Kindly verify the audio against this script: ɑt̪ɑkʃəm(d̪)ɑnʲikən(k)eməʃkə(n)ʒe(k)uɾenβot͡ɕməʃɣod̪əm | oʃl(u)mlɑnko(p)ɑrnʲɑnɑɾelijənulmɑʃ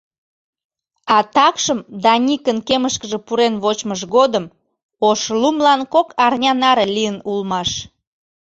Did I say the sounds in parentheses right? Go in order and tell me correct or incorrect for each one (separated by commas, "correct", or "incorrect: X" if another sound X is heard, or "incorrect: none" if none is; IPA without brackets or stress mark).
correct, correct, incorrect: none, incorrect: p, correct, incorrect: k